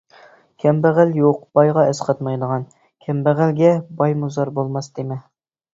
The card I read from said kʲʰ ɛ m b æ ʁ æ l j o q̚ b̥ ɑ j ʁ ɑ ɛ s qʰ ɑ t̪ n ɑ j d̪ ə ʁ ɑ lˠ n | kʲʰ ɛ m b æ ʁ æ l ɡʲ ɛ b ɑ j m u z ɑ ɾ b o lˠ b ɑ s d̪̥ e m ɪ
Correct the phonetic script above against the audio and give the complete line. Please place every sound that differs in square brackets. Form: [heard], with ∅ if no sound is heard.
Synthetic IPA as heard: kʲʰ ɛ m b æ ʁ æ l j o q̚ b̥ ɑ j ʁ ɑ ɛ s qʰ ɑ t̪ [m] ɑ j d̪ ə ʁ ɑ [∅] n | kʲʰ ɛ m b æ ʁ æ l ɡʲ ɛ b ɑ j m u z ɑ ɾ b o lˠ [m] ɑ s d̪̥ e m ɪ